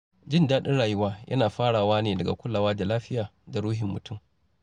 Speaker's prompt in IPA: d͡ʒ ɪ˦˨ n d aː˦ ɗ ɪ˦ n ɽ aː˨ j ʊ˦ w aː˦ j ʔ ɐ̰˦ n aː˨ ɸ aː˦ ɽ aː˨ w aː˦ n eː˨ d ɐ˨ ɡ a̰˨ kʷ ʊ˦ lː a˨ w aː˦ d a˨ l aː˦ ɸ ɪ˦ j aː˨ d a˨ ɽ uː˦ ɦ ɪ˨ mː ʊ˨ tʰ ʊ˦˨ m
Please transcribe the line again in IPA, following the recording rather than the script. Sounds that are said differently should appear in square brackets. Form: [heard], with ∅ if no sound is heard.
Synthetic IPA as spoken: d͡ʒ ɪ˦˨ n d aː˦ ɗ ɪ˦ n ɽ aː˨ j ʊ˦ w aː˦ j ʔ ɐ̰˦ n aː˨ ɸ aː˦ ɽ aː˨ w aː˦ n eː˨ d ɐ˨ ɡ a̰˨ kʷ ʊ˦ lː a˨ w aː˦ d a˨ l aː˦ ɸ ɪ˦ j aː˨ d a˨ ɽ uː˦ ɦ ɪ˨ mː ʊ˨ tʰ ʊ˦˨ m